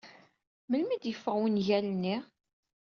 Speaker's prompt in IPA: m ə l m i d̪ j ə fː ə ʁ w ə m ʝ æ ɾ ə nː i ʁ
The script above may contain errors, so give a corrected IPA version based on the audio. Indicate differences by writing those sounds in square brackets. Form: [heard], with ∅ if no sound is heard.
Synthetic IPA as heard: m ə l m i d̪ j ə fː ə ʁ w ə [n] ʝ æ [l] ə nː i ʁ